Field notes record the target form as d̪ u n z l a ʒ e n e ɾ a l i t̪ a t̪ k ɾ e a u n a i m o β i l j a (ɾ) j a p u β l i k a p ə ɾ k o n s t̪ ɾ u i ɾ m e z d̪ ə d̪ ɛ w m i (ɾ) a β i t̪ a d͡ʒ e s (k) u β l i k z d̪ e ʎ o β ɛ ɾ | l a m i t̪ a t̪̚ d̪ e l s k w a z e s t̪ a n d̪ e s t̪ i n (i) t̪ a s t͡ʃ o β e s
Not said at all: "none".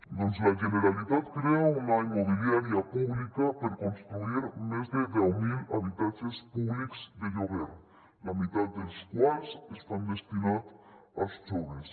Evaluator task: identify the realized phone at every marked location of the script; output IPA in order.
ɾ, l, p, a

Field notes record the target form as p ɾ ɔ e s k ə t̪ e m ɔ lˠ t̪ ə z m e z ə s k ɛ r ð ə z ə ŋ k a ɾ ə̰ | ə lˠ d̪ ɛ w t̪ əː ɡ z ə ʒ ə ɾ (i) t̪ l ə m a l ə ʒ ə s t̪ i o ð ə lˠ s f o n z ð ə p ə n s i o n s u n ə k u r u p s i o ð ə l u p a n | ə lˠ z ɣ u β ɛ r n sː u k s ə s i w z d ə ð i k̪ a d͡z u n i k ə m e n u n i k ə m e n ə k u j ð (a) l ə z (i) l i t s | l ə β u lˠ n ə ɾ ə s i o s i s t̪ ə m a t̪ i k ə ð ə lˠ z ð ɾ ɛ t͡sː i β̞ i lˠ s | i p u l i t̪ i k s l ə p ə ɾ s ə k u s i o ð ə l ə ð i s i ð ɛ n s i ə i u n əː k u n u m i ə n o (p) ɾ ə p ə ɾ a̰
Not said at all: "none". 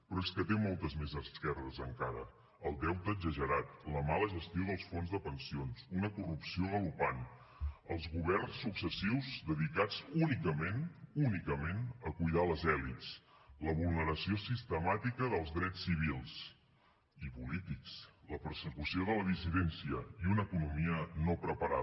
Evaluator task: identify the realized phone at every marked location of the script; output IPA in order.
a, a, ɛ, p

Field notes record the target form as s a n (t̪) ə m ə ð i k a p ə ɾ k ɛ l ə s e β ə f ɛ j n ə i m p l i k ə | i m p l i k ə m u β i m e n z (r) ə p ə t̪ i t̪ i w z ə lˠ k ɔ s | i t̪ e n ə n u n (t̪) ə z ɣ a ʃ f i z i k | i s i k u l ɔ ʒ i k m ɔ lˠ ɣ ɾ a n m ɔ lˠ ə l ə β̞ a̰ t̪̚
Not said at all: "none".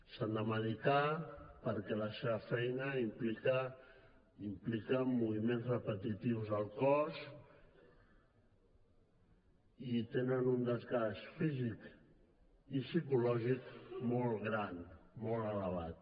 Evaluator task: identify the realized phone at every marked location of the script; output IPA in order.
d̪, r, d̪

